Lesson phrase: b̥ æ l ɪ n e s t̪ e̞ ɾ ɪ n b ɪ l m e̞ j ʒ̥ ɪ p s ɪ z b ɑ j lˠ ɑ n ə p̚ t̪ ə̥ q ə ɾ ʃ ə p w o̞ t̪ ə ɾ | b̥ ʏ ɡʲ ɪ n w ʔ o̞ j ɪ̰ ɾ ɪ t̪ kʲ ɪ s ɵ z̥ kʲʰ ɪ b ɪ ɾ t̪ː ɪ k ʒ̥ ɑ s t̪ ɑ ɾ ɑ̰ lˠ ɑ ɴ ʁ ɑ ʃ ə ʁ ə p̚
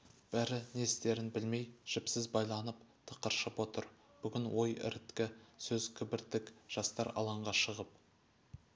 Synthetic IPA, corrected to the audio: b̥ æ ɾ ɪ n e s t̪ e̞ ɾ ɪ n b ɪ l m e̞ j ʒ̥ ɪ p s ɪ z b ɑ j lˠ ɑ n ə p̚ t̪ʰ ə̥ q ə ɾ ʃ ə p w o̞ t̪ ə ɾ | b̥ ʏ ɡʲ ɪ n w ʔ o̞ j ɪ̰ ɾ ɪ t̪ kʲ ɪ s ɵ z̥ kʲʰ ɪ b ɪ ɾ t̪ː ɪ k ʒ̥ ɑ s t̪ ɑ ɾ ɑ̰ lˠ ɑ ɴ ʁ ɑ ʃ ə ʁ ə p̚